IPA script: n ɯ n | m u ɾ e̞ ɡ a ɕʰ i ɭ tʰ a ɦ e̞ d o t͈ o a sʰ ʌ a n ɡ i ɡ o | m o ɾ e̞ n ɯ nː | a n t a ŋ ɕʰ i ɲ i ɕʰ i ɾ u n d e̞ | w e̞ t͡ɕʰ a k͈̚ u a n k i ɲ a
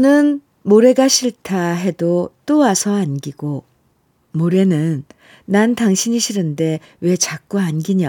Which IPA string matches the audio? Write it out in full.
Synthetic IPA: n ɯ n | m o ɾ e̞ ɡ a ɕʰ i ɭ tʰ a ɦ e̞ d o t͈ o a sʰ ʌ a n ɡ i ɡ o | m o ɾ e̞ n ɯ nː | a n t a ŋ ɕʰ i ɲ i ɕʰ i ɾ ɯ n d e̞ | w e̞ t͡ɕ a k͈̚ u a n ɡ i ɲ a